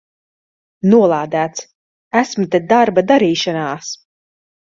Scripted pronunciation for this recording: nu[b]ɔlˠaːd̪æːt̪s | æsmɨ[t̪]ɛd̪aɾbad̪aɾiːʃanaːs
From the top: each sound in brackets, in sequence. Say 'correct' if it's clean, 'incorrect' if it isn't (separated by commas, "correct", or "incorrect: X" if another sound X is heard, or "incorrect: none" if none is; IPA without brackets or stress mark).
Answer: incorrect: none, correct